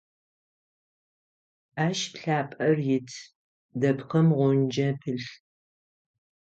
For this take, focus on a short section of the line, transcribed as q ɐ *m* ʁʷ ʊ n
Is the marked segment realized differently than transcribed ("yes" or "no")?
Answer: no